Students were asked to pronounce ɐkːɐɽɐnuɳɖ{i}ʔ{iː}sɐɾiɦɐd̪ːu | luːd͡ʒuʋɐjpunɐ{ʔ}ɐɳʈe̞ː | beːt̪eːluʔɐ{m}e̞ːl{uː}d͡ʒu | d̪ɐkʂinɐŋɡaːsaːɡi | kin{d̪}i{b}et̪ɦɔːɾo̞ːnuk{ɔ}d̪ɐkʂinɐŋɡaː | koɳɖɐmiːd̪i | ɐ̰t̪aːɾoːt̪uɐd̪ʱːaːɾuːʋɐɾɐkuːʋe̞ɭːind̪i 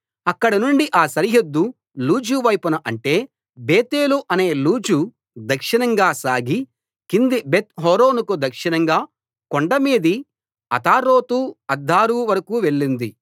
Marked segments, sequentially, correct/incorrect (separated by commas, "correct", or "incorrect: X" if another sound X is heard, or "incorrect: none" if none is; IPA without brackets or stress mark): correct, incorrect: aː, correct, incorrect: n, correct, correct, correct, incorrect: u